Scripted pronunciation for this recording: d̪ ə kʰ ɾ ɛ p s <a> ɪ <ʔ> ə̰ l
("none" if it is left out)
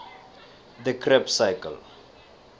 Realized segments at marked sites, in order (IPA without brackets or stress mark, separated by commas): a, k